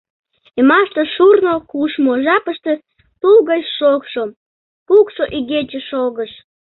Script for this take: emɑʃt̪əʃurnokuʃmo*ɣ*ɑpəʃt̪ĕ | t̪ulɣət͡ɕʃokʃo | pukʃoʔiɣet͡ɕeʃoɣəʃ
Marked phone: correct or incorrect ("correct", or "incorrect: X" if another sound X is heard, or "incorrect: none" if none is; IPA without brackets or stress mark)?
incorrect: ʒ